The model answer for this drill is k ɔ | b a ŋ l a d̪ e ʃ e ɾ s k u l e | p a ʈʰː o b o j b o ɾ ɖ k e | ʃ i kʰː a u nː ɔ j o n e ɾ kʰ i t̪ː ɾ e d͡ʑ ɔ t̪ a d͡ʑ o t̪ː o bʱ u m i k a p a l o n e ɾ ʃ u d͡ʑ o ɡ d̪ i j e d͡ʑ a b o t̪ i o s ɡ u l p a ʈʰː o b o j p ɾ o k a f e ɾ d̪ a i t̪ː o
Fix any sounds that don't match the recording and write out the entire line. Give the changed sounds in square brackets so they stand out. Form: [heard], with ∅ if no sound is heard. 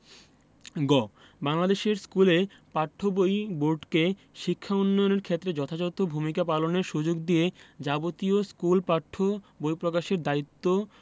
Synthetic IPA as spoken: [ɡ] ɔ | b a ŋ l a d̪ e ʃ e ɾ s k u l e | p a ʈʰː o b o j b o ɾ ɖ k e | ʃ i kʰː a u nː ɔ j o n e ɾ kʰ [e] t̪ː ɾ e d͡ʑ ɔ [t̪ʰ] a d͡ʑ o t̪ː o bʱ u m i k a p a l o n e ɾ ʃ u d͡ʑ o ɡ d̪ i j e d͡ʑ a b o t̪ i o s [k] u l p a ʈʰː o b o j p ɾ o k a [ʃ] e ɾ d̪ a i t̪ː o

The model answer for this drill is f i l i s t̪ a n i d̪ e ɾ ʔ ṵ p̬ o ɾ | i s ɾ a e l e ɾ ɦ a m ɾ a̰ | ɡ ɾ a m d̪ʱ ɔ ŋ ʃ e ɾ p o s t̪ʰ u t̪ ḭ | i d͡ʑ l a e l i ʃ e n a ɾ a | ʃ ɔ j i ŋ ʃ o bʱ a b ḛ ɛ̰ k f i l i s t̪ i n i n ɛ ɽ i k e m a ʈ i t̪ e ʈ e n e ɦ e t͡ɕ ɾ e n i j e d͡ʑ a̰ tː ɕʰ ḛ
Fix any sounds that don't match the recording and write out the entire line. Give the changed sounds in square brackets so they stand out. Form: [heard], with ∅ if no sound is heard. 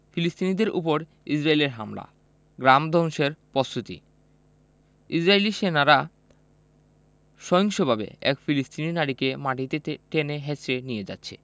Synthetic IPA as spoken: f i l i s t̪ [i] n i d̪ e ɾ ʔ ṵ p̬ o ɾ | i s ɾ a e l e ɾ ɦ a m [l] a̰ | ɡ ɾ a m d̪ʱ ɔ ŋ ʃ e ɾ p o s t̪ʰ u t̪ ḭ | i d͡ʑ [ɾ] a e l i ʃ e n a ɾ a | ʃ ɔ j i ŋ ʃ o bʱ a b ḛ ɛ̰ k f i l i s t̪ i n i n [a] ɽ i k e m a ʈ i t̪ e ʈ e n e ɦ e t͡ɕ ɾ e n i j e d͡ʑ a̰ tː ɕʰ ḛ

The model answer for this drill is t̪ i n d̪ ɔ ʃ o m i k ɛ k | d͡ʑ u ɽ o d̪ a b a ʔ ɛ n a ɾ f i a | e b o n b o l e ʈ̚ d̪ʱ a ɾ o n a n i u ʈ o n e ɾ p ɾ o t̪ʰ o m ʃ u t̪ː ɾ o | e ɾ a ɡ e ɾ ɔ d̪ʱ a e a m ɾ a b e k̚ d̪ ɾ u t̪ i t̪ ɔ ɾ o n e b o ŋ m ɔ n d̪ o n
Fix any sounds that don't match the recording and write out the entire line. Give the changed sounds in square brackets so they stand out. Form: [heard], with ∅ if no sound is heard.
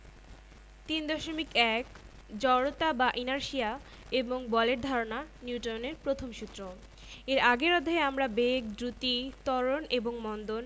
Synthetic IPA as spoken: t̪ i n d̪ ɔ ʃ o m i k ɛ k | d͡ʑ [ɔ] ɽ o [t̪] a b a ʔ [i] n a ɾ [ʃ] i a | e b o [ŋ] b [ɔ] l e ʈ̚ d̪ʱ a ɾ o n a n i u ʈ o n e ɾ p ɾ o t̪ʰ o m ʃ u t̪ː ɾ o | e ɾ a ɡ e ɾ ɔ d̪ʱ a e a m ɾ a b e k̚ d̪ ɾ u t̪ i t̪ ɔ ɾ o n e b o ŋ m ɔ n d̪ o n

